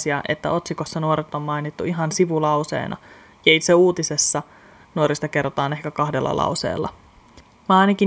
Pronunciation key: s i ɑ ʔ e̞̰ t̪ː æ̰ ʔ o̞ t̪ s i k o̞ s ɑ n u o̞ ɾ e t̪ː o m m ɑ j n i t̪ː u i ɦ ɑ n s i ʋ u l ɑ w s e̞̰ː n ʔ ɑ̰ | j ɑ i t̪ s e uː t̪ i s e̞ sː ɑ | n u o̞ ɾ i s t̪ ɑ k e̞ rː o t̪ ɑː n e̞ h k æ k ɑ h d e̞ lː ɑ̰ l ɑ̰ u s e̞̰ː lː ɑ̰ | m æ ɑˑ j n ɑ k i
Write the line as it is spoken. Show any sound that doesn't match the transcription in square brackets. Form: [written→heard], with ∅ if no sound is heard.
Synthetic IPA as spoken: s i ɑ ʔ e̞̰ t̪ː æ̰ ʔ o̞ t̪ s i k o̞ [s→sː] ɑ n u o̞ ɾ e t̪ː o m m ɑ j n i t̪ː u i ɦ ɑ n s i ʋ u l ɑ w s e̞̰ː n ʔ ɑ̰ | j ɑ i t̪ s e uː t̪ i s e̞ sː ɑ | n u o̞ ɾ i s t̪ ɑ k e̞ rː o t̪ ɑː n e̞ h k æ k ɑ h d e̞ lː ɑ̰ l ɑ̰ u s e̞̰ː lː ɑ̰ | m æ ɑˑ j n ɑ k i